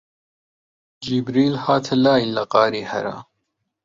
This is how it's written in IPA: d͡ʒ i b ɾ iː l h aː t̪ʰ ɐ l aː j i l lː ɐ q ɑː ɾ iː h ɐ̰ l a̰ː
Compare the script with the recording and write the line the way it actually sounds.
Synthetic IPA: d͡ʒ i b ɾ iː l h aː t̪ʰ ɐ l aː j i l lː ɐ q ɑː ɾ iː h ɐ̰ ɾ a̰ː